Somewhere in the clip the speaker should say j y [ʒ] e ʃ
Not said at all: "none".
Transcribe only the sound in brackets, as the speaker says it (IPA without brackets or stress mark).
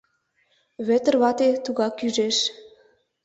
ʒ